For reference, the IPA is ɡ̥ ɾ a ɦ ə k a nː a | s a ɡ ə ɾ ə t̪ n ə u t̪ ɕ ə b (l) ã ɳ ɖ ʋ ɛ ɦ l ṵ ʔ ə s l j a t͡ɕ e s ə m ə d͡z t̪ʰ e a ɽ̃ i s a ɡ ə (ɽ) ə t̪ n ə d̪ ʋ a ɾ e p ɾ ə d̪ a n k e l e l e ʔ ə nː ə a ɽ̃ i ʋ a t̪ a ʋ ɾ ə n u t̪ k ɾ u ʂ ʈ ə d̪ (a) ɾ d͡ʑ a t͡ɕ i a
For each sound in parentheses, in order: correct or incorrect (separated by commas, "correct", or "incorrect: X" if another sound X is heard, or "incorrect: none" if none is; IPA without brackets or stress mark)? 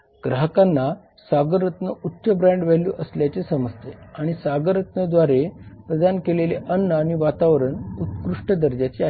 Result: incorrect: ɾ, incorrect: ɾ, incorrect: ə